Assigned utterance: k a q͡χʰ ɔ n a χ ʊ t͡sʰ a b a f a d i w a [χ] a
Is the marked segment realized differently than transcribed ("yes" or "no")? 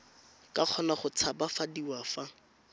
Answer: yes